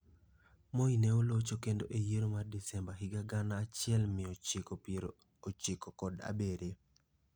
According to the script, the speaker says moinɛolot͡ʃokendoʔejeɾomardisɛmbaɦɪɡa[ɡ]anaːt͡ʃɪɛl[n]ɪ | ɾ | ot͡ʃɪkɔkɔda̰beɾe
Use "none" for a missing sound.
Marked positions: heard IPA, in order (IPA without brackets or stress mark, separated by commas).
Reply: ɡ, m